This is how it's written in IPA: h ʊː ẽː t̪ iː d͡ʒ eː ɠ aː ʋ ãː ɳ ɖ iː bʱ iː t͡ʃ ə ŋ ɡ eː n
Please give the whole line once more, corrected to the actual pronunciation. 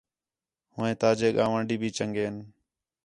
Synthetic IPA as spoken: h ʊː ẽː t̪ aː d͡ʒ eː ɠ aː ʋ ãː ɳ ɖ iː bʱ iː t͡ʃ ə ŋ ɡ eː n